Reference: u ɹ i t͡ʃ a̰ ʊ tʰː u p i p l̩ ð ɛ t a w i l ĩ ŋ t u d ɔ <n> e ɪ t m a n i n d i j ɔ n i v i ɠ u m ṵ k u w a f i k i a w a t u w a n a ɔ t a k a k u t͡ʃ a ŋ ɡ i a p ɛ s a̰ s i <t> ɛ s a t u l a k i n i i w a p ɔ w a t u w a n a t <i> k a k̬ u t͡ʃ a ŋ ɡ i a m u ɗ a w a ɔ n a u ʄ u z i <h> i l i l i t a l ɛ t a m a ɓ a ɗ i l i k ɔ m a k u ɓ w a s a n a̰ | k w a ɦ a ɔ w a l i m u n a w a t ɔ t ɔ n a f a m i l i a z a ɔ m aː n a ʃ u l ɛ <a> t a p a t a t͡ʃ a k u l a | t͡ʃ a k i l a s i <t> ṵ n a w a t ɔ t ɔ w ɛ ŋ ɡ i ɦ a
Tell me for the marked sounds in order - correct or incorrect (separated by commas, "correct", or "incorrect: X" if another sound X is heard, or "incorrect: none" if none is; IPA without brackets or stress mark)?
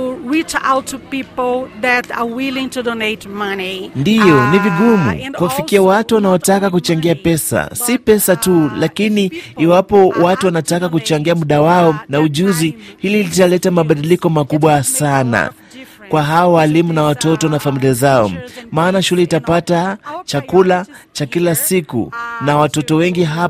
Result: correct, incorrect: p, incorrect: a, correct, incorrect: i, incorrect: k